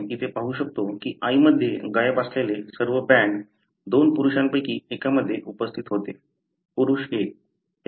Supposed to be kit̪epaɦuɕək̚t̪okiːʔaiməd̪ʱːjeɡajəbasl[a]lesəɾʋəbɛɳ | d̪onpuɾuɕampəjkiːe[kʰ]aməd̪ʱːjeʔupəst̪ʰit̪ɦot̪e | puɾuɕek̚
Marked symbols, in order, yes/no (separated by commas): no, no